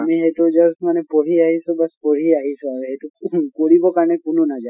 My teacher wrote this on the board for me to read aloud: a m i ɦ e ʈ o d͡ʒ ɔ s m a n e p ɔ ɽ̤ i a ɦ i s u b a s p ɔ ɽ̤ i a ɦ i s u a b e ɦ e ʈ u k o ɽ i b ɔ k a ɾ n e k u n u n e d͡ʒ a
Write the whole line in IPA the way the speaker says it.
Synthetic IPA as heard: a m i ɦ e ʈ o d͡ʒ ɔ s m a n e p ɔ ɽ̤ i a ɦ i s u b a s p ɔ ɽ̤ i a ɦ i s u a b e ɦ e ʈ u k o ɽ i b ɔ k a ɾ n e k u n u n a d͡ʒ a